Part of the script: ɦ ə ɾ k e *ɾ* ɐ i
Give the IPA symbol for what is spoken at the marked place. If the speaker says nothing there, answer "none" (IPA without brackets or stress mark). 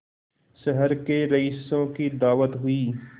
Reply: ɾ